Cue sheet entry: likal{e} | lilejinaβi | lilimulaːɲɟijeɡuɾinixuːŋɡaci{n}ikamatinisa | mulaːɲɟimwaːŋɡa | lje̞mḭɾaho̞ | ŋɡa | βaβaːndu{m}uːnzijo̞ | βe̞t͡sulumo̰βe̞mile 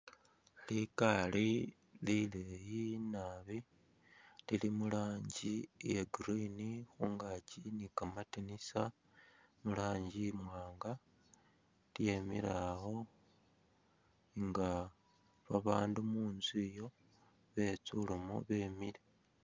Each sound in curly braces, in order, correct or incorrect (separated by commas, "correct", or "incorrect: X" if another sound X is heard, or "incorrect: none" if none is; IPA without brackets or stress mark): incorrect: i, correct, correct